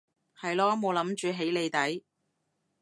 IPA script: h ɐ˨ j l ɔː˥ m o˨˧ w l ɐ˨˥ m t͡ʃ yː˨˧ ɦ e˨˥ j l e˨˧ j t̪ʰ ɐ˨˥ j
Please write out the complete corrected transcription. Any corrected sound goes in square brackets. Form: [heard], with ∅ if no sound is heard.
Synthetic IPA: h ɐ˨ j l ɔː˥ m o˨˧ w l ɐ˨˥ m t͡ʃ yː˨˧ ɦ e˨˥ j l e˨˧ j [t̪] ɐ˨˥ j